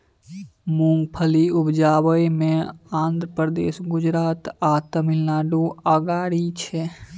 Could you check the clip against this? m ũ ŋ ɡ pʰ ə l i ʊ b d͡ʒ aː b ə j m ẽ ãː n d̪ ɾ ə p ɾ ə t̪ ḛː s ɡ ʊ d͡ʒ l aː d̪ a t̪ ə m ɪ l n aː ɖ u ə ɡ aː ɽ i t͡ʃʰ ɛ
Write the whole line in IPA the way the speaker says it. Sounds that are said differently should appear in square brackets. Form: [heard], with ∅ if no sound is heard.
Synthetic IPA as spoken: m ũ ŋ ɡ pʰ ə l i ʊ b d͡ʒ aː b ə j m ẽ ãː n d̪ ɾ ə p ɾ ə [d̪] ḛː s ɡ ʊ d͡ʒ [ɾ] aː [t̪] a t̪ ə m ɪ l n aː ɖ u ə ɡ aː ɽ i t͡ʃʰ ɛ